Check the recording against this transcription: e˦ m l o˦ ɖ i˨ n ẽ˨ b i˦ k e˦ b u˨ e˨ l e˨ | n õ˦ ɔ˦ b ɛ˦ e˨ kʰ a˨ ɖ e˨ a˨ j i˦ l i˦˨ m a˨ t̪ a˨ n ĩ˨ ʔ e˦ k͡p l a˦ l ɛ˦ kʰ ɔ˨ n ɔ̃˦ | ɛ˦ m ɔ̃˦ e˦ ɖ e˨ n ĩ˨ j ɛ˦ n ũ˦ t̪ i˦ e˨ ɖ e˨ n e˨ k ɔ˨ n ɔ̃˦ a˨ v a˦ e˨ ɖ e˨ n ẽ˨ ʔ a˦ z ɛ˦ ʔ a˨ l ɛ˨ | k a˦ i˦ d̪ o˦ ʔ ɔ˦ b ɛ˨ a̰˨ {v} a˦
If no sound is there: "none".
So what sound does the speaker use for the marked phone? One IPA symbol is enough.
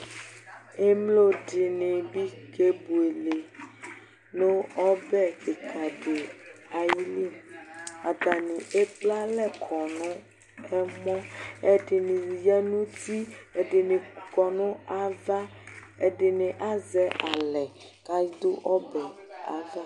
v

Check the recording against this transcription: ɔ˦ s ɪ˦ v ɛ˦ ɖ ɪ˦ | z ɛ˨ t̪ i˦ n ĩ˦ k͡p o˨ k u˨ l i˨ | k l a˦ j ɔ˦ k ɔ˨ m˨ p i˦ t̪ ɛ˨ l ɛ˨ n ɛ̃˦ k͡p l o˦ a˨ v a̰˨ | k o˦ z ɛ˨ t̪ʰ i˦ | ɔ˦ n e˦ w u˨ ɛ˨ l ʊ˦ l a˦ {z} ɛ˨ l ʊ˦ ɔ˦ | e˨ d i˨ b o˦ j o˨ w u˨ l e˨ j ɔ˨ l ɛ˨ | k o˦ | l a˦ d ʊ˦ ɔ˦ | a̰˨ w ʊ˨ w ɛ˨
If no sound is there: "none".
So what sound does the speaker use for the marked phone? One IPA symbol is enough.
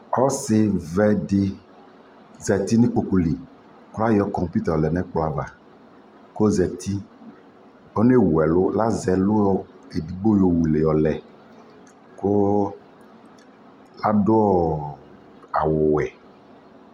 z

